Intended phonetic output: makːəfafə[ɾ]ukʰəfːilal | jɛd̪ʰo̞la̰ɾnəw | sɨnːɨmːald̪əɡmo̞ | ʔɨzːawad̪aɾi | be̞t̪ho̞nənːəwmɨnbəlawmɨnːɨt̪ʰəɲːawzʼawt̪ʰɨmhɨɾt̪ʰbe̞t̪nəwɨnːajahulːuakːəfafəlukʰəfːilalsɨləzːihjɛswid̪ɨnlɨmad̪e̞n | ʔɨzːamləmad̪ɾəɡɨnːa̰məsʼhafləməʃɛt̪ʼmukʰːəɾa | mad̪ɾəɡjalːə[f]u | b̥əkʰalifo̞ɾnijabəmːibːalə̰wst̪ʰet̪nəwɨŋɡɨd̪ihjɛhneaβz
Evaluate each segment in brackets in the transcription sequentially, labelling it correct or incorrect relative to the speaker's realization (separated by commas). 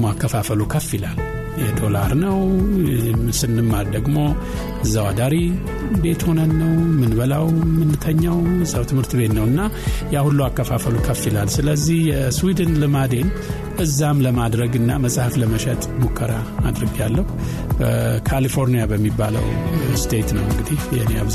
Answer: incorrect, incorrect